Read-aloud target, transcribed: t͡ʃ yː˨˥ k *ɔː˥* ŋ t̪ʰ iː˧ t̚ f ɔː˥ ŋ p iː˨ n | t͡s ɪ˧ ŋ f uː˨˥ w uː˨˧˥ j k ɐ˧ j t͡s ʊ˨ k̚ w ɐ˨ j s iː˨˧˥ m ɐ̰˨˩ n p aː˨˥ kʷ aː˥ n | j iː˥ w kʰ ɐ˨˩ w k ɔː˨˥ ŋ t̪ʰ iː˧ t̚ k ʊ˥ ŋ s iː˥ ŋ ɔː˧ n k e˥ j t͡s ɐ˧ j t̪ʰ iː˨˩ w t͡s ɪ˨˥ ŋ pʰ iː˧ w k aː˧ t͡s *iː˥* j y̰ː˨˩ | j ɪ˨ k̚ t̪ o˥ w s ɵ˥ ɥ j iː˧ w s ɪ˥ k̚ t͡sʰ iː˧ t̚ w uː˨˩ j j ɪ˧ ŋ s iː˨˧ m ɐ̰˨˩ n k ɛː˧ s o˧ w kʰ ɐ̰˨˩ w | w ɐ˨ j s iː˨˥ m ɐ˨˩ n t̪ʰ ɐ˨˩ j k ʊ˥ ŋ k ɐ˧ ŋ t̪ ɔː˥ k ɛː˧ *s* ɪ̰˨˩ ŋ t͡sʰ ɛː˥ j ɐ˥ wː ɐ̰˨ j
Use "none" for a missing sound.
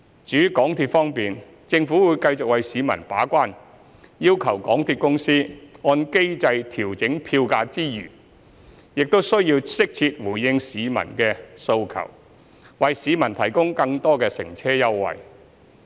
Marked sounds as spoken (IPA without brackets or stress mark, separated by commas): ɔː˨˥, iː˥, s